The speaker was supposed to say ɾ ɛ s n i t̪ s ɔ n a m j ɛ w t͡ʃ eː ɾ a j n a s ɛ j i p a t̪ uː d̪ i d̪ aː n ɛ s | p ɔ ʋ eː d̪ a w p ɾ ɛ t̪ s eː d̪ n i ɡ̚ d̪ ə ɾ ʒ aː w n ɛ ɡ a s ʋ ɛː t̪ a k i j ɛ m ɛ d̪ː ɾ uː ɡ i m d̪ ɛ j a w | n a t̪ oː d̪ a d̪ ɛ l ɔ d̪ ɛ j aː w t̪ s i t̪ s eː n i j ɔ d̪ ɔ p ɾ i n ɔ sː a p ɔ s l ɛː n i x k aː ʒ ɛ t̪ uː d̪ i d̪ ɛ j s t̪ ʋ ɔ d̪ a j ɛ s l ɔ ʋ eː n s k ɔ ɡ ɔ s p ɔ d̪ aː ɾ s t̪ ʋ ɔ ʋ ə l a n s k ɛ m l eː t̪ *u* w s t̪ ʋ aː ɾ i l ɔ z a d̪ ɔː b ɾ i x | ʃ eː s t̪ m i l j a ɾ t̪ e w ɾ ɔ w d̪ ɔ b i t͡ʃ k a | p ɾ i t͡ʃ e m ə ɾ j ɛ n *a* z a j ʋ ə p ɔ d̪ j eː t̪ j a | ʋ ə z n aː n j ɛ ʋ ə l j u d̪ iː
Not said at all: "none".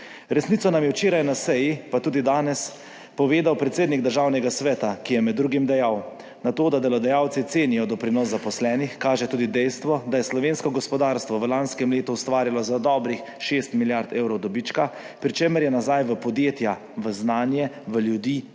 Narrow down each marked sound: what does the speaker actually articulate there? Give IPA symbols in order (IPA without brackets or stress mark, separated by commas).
u, a